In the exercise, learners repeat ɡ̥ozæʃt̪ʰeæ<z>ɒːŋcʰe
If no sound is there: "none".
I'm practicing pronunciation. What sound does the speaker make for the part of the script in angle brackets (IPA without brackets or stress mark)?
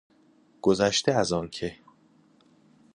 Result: z